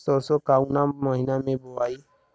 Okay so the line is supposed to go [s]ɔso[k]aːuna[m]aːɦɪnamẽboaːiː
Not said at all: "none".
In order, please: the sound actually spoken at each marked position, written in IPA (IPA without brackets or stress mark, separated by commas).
s, k, m